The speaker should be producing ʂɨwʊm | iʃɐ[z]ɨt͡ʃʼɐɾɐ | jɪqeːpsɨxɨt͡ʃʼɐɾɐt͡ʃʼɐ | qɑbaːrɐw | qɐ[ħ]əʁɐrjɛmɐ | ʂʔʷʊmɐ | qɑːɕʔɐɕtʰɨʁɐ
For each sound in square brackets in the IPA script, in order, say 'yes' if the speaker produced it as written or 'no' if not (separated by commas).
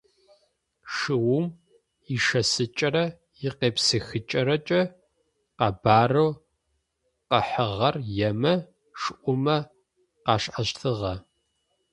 no, yes